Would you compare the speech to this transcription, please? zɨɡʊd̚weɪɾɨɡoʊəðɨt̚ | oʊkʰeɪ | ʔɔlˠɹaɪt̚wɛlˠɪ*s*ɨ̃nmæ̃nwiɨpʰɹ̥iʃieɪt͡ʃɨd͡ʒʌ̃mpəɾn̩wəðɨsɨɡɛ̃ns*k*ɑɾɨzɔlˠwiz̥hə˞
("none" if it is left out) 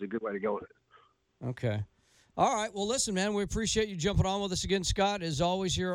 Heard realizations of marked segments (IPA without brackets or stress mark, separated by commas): s, k